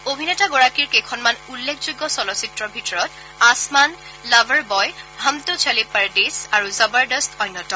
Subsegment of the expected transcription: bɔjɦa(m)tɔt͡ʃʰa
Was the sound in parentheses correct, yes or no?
yes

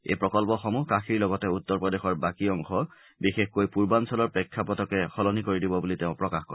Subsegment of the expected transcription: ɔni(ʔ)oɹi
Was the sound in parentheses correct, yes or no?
no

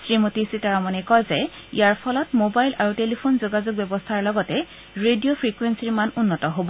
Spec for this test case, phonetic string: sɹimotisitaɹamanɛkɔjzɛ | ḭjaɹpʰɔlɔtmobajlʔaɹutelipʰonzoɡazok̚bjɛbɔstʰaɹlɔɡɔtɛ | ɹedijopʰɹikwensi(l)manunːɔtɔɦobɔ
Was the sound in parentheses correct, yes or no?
no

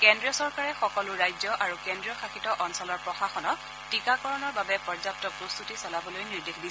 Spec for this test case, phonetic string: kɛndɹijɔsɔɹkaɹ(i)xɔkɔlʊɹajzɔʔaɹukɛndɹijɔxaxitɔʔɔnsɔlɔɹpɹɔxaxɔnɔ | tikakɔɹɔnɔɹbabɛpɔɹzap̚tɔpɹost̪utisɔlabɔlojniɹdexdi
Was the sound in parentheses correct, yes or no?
no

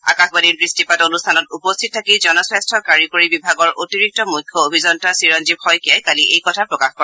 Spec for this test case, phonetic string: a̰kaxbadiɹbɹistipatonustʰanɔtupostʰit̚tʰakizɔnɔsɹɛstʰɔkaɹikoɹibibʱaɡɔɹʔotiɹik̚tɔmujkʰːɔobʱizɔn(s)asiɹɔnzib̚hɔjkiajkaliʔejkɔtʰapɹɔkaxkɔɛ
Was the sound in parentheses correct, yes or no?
no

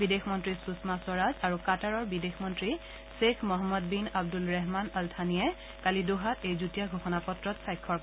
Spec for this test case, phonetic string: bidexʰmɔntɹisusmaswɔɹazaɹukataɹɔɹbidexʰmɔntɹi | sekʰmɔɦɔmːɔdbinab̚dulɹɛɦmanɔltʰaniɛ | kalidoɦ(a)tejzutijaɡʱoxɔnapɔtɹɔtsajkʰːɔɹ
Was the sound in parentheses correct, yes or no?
yes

